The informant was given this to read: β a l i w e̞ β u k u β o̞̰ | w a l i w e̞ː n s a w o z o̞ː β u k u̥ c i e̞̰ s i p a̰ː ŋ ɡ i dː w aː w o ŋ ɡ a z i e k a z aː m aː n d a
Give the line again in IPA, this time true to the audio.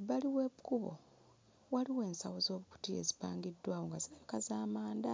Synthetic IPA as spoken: β a l i w e̞ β u k u β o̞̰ | w a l i w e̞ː n s a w o z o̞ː β u k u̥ t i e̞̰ z i p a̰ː ŋ ɡ i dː w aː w o ŋ ɡ a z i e k a z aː m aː n d a